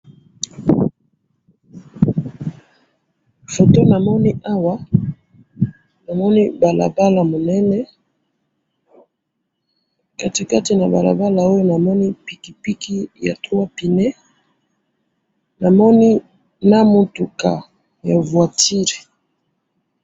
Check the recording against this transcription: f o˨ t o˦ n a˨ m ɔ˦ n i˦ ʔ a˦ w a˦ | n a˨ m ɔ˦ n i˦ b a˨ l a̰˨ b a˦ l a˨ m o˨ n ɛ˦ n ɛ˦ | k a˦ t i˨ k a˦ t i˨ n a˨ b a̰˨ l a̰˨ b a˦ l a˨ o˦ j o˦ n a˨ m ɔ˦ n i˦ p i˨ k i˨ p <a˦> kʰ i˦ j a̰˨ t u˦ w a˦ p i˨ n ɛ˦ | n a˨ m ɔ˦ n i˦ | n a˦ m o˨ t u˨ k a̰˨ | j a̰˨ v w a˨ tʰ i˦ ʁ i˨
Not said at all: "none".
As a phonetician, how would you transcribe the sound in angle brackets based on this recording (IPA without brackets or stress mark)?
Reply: i˦